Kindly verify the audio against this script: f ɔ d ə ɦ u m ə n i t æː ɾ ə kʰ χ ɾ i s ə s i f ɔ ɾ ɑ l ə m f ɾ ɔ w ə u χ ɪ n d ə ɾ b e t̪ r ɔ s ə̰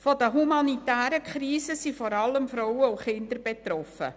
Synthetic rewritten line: f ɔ d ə ɦ u m ɑ n i t æː ɾ ə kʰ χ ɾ iː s ə s i f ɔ ɾ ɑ l ə m f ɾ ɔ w ə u χ ɪ n d ə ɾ b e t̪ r ɔ f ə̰